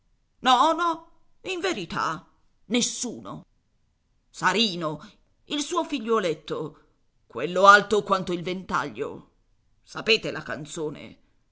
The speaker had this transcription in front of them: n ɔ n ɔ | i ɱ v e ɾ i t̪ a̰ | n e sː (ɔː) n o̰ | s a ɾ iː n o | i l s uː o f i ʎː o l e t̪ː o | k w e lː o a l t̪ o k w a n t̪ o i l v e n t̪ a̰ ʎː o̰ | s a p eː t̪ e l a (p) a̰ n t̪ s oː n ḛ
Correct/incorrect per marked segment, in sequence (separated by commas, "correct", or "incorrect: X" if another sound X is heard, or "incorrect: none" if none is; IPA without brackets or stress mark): incorrect: uː, incorrect: k